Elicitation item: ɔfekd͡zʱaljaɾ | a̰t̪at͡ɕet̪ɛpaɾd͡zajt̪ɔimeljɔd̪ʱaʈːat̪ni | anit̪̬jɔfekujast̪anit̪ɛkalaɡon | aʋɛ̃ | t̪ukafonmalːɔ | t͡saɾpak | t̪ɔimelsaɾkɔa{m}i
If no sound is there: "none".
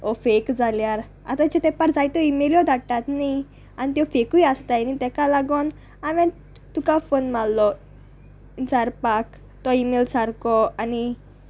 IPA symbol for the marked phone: n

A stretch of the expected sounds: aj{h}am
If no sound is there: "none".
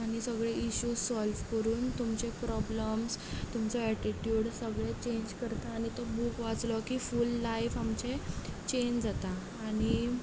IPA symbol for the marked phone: f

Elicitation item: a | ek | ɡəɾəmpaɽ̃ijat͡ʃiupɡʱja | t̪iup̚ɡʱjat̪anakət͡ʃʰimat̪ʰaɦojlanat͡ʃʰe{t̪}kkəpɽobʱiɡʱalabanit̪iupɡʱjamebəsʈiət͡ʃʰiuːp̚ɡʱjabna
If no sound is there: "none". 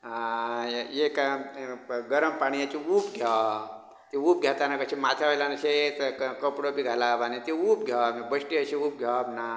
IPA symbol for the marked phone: t̪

